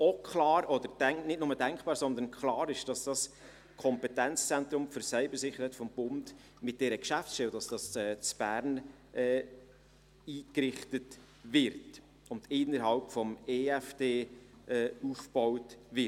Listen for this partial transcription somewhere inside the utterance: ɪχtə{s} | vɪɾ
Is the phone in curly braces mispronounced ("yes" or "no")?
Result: yes